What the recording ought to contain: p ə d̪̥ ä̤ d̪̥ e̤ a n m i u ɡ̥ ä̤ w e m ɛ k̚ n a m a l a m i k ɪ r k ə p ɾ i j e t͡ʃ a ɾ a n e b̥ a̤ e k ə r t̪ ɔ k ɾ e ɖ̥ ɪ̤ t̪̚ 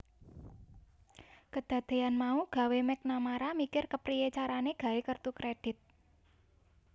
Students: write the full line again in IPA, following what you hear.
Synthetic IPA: k ə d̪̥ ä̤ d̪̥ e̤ a n m a u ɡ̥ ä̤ w e m ɛ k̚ n a m a ɾ a m i k ɪ r k ə p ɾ i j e t͡ʃ a ɾ a n e ɡ̥ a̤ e k ə r t̪ u k ɾ e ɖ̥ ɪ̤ t̪̚